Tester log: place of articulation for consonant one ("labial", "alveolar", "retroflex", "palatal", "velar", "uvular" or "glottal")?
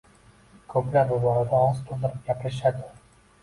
velar